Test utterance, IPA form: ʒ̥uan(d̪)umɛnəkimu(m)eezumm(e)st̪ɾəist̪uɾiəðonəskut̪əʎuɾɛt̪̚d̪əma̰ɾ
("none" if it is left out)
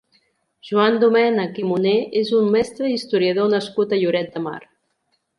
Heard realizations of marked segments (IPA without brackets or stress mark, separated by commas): d̪, n, ɛ